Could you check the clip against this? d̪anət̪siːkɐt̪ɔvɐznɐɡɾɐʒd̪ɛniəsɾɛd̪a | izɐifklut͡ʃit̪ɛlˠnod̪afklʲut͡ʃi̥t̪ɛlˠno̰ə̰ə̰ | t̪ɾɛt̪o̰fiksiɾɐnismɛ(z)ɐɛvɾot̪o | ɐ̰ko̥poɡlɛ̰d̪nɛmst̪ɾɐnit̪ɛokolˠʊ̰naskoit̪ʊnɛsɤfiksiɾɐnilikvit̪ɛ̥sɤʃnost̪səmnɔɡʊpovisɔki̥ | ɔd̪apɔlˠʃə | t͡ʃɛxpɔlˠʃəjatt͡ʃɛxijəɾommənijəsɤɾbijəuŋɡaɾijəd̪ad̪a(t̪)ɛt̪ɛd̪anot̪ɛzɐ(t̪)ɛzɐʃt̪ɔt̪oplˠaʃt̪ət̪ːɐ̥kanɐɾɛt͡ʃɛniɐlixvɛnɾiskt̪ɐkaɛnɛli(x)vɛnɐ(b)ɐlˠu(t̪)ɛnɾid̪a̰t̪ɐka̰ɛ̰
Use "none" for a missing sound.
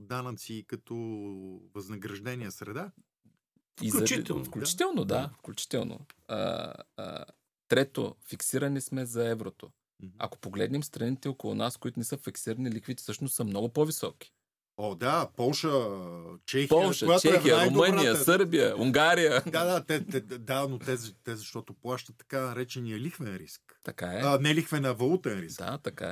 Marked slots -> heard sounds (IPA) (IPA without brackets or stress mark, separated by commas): z, t̪, t̪, x, v, t̪